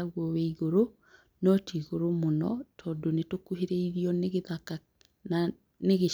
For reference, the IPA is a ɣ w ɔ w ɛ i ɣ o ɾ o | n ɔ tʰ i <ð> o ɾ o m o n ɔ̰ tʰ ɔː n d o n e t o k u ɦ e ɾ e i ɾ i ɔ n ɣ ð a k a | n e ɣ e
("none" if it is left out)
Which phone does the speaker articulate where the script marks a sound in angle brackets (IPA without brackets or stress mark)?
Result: ɣ